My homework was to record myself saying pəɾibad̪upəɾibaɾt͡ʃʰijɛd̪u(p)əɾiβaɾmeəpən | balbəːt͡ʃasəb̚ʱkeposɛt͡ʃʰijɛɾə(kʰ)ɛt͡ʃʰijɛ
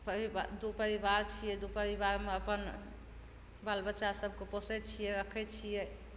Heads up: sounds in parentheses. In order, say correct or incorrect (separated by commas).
correct, correct